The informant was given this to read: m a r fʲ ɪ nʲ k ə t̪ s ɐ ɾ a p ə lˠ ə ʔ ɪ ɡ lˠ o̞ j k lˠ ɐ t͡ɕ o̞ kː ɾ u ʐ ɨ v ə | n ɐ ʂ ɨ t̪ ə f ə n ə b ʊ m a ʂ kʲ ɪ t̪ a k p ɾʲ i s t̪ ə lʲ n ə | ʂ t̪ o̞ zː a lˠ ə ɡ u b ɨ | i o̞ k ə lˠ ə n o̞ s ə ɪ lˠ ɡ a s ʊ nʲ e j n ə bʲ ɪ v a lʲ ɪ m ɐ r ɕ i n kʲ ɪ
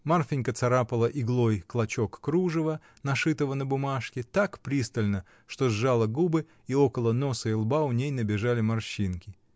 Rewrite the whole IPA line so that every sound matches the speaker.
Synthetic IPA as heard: m a r fʲ ɪ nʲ k ə t̪ s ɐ ɾ a p ə lˠ ə ʔ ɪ ɡ lˠ o̞ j k lˠ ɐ t͡ɕ o̞ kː ɾ u ʐ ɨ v ə | n ɐ ʂ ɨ t̪ ə v ə n ə b ʊ m a ʂ kʲ ɪ t̪ a k p ɾʲ i s t̪ ə lʲ n ə | ʂ t̪ o̞ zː a lˠ ə ɡ u b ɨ | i o̞ k ə lˠ ə n o̞ s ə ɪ lˠ b a ʊ nʲ e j n ə bʲ ɪ ʐ a lʲ ɪ m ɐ r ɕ i n kʲ ɪ